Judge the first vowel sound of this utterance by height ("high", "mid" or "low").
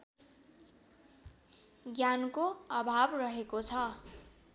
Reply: low